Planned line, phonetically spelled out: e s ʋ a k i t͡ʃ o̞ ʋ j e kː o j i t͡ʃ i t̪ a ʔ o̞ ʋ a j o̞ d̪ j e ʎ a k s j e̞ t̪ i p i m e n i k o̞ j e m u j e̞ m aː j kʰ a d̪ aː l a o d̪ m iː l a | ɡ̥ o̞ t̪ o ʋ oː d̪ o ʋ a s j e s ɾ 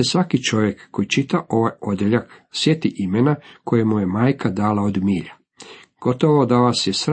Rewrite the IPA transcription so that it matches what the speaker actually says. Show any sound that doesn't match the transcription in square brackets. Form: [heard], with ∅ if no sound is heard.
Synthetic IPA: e s ʋ a k i t͡ʃ o̞ ʋ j e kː o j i t͡ʃ i t̪ a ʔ o̞ ʋ a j o̞ d̪ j e ʎ a k s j e̞ t̪ i [ʔ] i m e n [a] k o̞ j e m u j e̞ m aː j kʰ a d̪ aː l a o d̪ m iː [ʎ] a | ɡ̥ o̞ t̪ o ʋ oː d̪ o ʋ a s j e s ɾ